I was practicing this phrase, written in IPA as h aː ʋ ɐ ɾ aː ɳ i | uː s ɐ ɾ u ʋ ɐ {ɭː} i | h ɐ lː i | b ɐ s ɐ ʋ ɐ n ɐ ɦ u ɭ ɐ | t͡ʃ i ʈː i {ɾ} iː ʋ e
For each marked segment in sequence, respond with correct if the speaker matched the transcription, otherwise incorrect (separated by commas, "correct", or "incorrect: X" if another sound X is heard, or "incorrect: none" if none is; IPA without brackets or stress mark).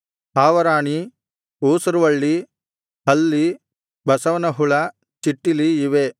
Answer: correct, incorrect: l